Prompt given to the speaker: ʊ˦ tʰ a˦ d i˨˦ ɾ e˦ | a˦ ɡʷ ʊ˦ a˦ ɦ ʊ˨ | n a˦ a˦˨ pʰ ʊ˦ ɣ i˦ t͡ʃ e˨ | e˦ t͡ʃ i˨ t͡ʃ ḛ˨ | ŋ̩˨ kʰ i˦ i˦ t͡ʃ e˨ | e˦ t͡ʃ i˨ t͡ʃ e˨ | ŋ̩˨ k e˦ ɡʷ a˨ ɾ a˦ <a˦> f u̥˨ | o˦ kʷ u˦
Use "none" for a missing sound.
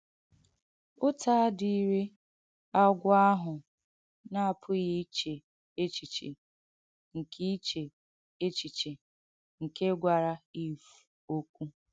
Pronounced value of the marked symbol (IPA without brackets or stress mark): i˦